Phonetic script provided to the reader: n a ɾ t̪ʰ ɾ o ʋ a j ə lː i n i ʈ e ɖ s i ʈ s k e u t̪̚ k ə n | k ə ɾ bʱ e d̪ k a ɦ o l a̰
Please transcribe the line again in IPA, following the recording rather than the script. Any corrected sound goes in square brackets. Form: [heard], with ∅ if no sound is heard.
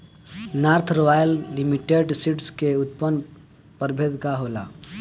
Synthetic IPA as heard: n a ɾ t̪ʰ ɾ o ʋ a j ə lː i [m] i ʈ e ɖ s i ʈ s k e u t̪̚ [p] ə n | [p] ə ɾ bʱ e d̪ k a ɦ o l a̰